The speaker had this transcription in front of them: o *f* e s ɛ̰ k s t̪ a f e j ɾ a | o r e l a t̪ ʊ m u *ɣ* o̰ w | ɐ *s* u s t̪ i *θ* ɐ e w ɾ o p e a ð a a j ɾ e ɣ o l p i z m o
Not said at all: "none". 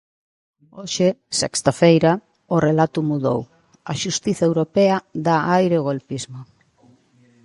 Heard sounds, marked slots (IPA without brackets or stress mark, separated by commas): ʃ, ð, ʃ, θ